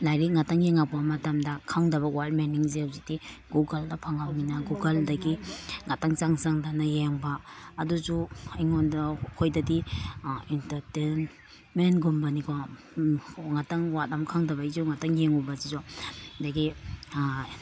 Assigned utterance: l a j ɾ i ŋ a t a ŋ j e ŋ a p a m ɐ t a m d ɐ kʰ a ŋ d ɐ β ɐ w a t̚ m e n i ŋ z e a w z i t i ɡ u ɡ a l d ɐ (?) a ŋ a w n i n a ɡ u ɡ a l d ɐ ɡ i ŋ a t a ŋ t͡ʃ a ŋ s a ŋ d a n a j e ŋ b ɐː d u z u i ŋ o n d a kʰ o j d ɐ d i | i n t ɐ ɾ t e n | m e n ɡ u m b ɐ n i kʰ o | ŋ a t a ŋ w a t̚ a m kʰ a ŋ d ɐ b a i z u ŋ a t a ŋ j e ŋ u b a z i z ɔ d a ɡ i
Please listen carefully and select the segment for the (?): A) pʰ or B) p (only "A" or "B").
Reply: A